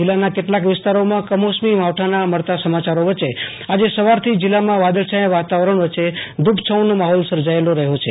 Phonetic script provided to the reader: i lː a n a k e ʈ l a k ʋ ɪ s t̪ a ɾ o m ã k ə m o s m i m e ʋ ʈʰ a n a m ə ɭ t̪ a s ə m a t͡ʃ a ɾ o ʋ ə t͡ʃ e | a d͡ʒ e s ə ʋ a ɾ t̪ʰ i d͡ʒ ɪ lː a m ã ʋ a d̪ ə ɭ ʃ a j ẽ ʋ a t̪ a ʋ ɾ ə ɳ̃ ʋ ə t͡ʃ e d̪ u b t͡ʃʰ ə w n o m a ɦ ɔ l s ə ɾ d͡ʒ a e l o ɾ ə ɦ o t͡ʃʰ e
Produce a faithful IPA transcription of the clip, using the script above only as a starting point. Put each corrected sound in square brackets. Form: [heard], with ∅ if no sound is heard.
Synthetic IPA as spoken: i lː a n a k e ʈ l a k ʋ ɪ s t̪ a ɾ o m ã k ə m o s m i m [a] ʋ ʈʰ a n a m ə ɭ t̪ a s ə m a t͡ʃ a ɾ o ʋ ə t͡ʃ e | a d͡ʒ e s ə ʋ a ɾ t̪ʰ i d͡ʒ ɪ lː a m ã ʋ a d̪ ə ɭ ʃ a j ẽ ʋ a t̪ a ʋ ɾ ə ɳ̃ ʋ ə t͡ʃ e d̪ u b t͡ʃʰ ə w n o m a ɦ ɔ l s ə ɾ d͡ʒ a e l o ɾ ə ɦ o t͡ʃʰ e